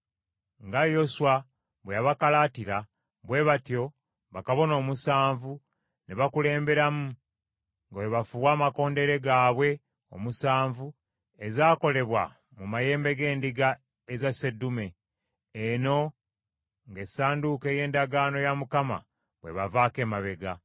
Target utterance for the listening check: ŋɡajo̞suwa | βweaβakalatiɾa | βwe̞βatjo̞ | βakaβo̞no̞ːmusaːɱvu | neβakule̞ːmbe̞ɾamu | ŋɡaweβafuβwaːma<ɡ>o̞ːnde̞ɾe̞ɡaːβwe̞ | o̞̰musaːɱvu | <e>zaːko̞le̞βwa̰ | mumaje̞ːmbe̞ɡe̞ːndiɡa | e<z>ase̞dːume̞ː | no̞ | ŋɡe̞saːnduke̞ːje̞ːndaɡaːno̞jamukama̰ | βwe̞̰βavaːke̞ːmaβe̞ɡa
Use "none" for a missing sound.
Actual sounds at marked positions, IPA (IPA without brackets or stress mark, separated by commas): k, e, z